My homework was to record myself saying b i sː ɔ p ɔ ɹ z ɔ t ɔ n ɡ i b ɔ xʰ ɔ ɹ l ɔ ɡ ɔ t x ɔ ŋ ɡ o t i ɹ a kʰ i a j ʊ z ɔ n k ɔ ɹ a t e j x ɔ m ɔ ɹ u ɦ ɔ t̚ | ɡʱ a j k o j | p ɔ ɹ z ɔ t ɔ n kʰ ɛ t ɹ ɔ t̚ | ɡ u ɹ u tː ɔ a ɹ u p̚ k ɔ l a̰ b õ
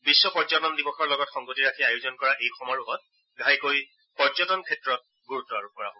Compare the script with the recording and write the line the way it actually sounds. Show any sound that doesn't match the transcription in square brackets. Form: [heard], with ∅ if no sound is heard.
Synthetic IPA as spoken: b i sː ɔ p ɔ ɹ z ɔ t ɔ n [d] i b ɔ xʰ ɔ ɹ l ɔ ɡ ɔ t x ɔ ŋ ɡ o t i ɹ a kʰ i a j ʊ z ɔ n k ɔ ɹ a [ʔ] e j x ɔ m ɔ ɹ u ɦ ɔ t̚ | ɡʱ a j k o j | p ɔ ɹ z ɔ t ɔ n kʰ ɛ t ɹ ɔ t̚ | ɡ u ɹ u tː ɔ a ɹ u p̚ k ɔ [ɹ] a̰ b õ